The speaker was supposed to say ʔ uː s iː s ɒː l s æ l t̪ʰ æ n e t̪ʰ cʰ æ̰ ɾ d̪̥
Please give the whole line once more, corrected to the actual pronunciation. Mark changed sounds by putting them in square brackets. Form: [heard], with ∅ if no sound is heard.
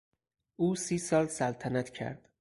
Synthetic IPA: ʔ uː s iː s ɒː l s æ l t̪ʰ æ n [æ] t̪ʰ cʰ æ̰ ɾ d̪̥